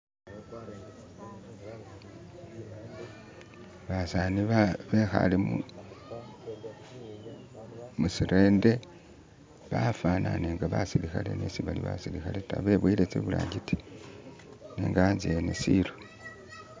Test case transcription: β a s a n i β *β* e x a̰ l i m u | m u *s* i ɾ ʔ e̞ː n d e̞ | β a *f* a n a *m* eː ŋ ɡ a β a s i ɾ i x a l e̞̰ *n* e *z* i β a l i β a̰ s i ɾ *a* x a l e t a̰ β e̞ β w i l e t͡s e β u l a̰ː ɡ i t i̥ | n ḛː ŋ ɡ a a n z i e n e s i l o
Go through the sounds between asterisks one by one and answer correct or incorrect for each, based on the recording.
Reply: correct, correct, correct, incorrect: n, correct, incorrect: s, incorrect: i

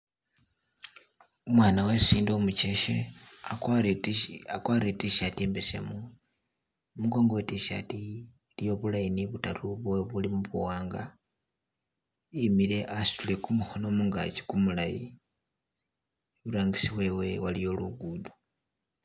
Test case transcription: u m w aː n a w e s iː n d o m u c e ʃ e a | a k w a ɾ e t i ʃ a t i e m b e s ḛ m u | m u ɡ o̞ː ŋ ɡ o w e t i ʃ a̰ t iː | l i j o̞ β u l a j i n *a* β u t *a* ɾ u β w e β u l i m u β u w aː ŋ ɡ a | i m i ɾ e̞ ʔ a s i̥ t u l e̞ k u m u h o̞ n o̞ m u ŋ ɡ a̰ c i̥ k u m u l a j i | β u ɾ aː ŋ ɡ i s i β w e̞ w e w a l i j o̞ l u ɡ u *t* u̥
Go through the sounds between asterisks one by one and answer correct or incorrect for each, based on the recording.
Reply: incorrect: i, correct, incorrect: d

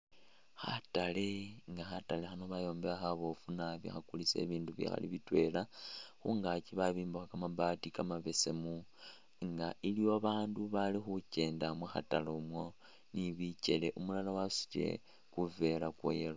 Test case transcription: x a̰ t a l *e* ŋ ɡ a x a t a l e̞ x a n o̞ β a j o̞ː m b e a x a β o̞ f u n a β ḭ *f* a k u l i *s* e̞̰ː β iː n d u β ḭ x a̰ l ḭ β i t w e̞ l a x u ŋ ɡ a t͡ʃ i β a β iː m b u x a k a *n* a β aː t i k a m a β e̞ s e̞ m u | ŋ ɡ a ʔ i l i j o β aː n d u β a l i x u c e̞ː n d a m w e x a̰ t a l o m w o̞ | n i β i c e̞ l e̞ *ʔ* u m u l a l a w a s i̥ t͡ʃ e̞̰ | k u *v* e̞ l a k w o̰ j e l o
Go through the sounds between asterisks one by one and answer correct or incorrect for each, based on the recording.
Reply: correct, incorrect: x, correct, incorrect: m, correct, correct

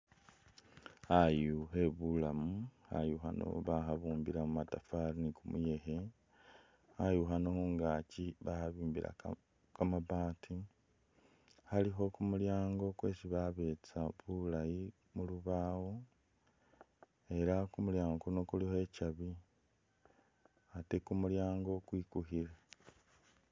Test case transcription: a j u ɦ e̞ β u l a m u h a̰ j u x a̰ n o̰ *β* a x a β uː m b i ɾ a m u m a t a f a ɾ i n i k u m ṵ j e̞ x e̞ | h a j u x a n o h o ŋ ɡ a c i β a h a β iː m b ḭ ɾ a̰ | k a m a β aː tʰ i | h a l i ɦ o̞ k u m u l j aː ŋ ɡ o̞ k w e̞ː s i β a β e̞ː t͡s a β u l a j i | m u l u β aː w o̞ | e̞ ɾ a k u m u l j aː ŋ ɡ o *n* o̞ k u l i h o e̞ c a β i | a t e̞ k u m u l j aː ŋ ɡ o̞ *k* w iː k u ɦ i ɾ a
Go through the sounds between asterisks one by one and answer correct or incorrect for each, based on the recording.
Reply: correct, correct, correct

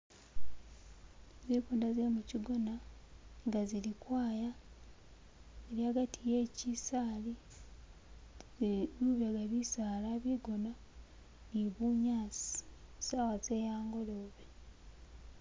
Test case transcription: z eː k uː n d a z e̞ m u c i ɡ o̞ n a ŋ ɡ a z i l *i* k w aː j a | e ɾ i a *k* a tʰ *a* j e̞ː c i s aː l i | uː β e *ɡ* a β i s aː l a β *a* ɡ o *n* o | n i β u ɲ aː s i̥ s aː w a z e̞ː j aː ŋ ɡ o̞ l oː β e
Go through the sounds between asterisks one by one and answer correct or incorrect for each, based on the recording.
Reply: correct, incorrect: ɡ, incorrect: i, correct, incorrect: i, correct

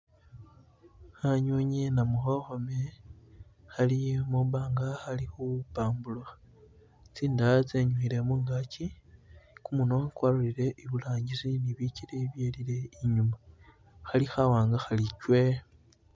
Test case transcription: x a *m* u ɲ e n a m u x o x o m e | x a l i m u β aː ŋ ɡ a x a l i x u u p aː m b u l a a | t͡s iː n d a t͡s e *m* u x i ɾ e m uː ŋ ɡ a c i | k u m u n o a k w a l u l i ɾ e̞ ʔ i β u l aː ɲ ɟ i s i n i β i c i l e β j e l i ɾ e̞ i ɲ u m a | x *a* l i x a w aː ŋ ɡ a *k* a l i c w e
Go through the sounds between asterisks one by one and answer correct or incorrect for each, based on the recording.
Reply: incorrect: ɲ, incorrect: ɲ, correct, incorrect: x

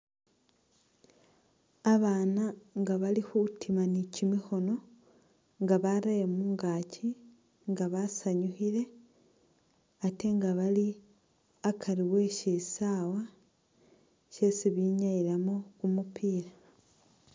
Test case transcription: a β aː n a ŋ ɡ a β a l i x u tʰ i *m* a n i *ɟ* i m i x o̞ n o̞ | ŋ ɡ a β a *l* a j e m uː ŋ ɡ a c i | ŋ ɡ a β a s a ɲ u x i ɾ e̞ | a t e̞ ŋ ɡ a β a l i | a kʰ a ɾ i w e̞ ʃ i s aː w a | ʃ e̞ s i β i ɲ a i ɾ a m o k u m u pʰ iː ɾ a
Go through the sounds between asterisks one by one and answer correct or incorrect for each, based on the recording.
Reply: correct, incorrect: c, incorrect: ɾ

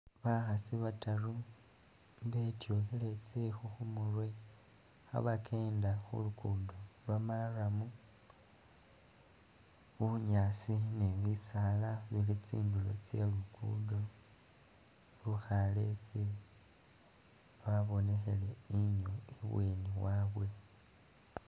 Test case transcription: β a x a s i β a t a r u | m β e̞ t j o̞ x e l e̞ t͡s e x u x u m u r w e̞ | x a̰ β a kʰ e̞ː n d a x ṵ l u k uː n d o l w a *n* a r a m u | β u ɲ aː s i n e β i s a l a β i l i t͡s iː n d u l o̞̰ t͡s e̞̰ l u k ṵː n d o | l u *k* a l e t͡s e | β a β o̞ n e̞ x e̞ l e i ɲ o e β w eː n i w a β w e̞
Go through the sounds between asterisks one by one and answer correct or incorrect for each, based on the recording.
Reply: incorrect: m, incorrect: x

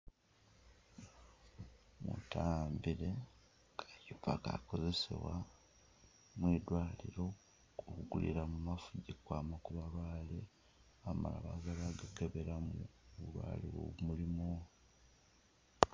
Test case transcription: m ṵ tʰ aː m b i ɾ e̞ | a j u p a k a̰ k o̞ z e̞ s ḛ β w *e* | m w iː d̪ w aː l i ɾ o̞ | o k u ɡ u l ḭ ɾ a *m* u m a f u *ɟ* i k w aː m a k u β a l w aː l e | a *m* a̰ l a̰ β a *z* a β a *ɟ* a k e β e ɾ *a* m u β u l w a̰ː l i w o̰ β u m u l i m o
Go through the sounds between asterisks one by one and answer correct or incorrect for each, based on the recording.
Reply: incorrect: a, correct, correct, correct, correct, incorrect: ɡ, correct

